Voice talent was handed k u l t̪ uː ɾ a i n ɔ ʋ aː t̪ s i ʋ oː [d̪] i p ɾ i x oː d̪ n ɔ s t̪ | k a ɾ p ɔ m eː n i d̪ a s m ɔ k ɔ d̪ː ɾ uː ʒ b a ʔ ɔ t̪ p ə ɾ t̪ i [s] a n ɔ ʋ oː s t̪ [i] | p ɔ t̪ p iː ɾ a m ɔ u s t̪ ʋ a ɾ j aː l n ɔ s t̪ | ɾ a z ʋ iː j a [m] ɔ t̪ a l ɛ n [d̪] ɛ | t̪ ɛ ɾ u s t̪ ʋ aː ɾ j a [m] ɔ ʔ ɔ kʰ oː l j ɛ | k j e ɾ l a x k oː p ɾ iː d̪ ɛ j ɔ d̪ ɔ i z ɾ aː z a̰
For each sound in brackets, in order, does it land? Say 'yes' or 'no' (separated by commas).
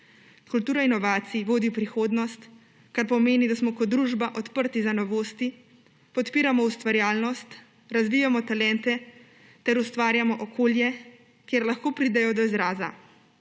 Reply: yes, no, yes, yes, no, yes